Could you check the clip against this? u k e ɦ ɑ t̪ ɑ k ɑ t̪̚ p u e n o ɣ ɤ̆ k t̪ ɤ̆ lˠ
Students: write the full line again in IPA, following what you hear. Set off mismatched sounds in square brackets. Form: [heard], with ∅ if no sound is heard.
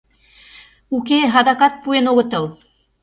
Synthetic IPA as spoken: u k e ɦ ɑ [d̪] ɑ k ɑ t̪̚ p u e n o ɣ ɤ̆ [∅] t̪ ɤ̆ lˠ